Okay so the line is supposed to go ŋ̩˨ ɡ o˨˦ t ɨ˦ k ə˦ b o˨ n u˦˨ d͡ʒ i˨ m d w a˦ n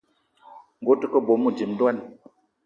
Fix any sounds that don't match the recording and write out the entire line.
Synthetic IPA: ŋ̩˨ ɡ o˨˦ t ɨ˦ k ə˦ b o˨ m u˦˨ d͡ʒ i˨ m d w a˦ n